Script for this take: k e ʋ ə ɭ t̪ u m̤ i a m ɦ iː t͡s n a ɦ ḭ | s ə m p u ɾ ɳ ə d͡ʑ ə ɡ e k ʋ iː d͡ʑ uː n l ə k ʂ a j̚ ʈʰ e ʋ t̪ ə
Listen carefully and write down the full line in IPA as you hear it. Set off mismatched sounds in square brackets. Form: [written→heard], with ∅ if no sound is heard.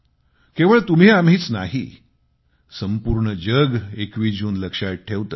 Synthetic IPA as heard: k e ʋ ə ɭ t̪ u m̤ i a m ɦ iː t͡s n a ɦ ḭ | s ə m p u ɾ ɳ ə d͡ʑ ə ɡ e k ʋ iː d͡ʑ uː n l ə k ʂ a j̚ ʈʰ e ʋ t̪ ə